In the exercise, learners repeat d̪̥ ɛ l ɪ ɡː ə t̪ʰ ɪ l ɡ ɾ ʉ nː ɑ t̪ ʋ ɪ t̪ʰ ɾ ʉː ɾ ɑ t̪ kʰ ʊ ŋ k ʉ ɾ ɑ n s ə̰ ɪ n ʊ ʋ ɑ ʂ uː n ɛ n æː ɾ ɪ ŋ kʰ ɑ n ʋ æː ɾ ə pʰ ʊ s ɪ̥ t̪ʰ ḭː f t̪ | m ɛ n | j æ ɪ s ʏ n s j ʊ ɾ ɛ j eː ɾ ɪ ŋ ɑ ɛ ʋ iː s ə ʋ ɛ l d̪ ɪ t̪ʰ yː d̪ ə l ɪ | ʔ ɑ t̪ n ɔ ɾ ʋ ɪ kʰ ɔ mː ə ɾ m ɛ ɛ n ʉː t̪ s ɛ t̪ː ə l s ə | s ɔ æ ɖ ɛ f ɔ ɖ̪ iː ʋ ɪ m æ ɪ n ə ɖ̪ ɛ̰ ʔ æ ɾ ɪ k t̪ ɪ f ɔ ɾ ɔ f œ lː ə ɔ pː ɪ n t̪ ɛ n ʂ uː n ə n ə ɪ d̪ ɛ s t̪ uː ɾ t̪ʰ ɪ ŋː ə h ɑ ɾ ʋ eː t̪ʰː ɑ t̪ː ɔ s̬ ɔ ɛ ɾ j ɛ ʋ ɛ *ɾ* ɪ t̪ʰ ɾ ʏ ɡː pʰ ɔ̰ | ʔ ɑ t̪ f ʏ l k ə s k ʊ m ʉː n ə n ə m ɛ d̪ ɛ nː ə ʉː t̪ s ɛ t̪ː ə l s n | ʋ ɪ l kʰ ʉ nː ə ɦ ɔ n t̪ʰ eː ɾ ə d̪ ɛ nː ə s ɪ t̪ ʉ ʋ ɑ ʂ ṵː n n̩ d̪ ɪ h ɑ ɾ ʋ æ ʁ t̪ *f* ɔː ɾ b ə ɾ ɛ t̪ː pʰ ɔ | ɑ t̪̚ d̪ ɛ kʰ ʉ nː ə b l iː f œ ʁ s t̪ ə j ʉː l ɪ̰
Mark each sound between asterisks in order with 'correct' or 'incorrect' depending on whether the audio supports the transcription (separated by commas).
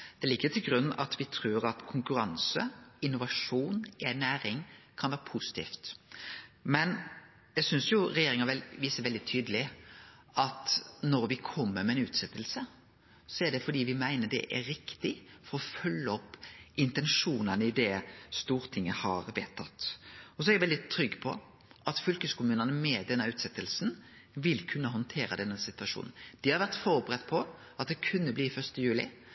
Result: incorrect, correct